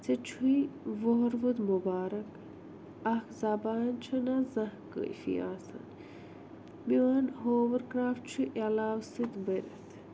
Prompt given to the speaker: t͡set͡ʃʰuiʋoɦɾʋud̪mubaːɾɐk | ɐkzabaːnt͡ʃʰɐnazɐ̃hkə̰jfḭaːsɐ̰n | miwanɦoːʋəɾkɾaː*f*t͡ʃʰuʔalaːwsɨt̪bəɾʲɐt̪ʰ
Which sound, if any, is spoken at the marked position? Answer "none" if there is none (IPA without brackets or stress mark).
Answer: f